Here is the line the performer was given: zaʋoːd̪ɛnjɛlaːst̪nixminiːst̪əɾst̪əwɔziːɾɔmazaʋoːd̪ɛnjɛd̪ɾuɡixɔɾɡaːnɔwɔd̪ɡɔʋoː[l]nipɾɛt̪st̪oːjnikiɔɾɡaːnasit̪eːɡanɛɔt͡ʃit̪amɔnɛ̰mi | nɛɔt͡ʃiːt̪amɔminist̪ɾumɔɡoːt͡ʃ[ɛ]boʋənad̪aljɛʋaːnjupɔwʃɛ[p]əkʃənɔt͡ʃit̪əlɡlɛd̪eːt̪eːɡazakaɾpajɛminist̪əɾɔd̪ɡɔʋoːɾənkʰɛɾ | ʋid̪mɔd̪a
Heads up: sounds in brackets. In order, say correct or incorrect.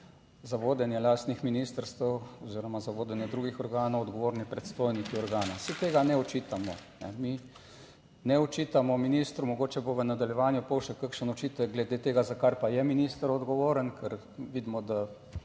incorrect: ɾ, correct, incorrect: k

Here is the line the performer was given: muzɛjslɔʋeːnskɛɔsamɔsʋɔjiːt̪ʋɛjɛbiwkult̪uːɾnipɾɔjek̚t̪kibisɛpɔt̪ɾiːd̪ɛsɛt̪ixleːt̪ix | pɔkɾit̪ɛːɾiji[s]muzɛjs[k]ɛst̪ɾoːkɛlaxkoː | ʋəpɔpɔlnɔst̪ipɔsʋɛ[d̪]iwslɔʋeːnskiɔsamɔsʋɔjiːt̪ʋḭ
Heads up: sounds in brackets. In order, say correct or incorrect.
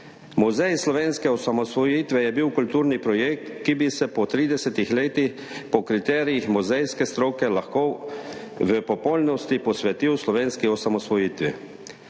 incorrect: x, correct, incorrect: t̪

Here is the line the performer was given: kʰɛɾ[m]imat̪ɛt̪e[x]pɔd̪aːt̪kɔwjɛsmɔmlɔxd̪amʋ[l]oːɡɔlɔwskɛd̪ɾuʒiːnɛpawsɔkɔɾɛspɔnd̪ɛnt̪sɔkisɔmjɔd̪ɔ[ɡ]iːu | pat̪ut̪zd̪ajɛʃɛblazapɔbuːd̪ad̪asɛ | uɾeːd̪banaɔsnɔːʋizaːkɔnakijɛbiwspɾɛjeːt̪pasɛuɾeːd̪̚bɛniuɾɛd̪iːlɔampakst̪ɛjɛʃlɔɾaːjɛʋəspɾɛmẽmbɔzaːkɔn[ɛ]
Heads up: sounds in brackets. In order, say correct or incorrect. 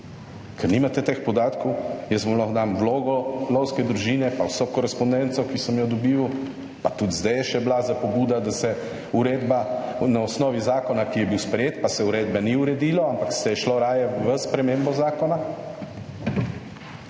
incorrect: n, correct, correct, incorrect: b, incorrect: a

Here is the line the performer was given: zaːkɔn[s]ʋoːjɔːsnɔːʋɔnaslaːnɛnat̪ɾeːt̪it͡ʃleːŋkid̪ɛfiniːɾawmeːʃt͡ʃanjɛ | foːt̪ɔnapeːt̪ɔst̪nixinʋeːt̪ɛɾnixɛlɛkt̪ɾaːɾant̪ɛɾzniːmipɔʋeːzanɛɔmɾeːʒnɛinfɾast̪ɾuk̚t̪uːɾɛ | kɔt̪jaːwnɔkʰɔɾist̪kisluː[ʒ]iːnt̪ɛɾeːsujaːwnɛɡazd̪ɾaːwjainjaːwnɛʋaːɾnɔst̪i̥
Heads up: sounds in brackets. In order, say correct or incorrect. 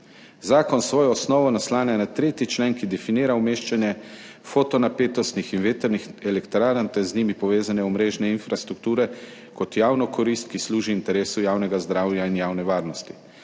correct, correct

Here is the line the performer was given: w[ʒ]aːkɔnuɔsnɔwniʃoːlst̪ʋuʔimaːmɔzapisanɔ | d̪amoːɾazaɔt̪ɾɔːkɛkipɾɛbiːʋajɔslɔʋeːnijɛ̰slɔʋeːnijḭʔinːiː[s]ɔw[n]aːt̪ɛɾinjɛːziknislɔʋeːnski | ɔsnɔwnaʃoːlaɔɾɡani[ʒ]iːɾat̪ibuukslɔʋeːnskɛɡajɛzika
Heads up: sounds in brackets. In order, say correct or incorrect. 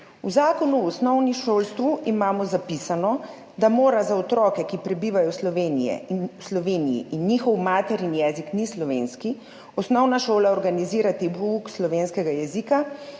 incorrect: z, incorrect: x, incorrect: m, incorrect: z

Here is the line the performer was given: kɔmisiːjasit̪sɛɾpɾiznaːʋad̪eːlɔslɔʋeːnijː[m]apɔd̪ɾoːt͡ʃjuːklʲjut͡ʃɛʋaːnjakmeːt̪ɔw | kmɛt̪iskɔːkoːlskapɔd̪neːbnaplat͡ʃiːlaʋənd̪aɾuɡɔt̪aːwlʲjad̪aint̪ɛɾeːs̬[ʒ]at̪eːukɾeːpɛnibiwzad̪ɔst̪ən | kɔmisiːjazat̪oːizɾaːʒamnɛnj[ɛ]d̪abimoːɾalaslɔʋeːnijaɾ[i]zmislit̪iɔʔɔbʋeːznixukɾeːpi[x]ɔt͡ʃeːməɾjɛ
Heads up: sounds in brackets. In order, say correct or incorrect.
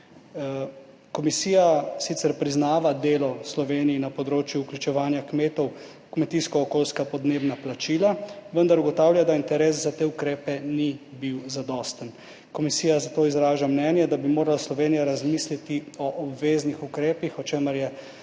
incorrect: n, incorrect: z, correct, incorrect: a, correct

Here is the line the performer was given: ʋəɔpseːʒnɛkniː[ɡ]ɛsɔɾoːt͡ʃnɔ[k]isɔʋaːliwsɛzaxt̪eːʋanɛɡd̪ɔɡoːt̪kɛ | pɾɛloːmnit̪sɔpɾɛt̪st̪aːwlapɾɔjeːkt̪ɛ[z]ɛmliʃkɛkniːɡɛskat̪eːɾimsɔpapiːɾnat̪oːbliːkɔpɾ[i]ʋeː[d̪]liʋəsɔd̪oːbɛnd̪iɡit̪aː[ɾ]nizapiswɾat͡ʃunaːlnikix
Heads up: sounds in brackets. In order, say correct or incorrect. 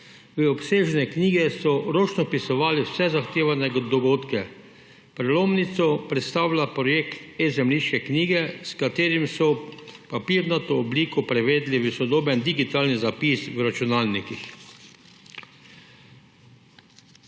correct, incorrect: p, correct, incorrect: ɛ, correct, incorrect: l

